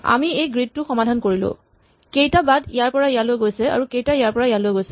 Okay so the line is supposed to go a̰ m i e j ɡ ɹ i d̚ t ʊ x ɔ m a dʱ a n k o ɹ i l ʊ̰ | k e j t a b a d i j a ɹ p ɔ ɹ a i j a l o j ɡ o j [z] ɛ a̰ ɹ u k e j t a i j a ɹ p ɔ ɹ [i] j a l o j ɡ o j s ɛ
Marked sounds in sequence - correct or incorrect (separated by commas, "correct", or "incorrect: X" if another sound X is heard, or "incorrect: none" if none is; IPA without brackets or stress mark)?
incorrect: s, incorrect: a